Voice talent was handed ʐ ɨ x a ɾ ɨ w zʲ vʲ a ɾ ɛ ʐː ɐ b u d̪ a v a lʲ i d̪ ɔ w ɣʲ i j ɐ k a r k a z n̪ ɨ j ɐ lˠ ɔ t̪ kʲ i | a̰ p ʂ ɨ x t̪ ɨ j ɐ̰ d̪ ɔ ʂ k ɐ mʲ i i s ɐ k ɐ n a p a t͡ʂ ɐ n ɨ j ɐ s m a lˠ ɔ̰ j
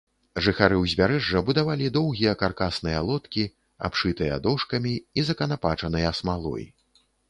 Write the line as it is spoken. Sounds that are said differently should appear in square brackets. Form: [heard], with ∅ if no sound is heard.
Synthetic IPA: ʐ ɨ x a ɾ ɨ w zʲ vʲ a ɾ ɛ ʐː ɐ b u d̪ a v a lʲ i d̪ ɔ w ɣʲ i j ɐ k a r k a [s] n̪ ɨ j ɐ lˠ ɔ t̪ kʲ i | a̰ p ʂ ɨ [∅] t̪ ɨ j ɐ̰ d̪ ɔ ʂ k ɐ mʲ i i [z] ɐ k ɐ n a p a t͡ʂ ɐ n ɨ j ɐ s m a lˠ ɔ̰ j